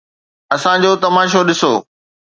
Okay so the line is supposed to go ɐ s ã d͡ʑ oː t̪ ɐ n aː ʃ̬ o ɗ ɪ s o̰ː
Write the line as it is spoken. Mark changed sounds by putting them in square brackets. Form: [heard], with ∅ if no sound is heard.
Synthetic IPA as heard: ɐ s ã d͡ʑ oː t̪ ɐ [m] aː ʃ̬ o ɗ ɪ s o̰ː